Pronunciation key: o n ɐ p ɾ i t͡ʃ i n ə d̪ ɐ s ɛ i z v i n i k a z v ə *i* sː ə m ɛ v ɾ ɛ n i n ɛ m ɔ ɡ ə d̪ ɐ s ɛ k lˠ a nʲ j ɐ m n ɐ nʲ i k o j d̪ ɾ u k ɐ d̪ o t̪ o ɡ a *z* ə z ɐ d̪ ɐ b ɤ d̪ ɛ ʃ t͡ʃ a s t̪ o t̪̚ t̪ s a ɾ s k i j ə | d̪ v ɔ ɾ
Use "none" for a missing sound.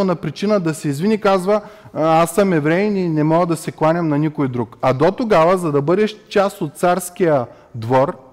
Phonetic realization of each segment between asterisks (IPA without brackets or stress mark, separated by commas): a, v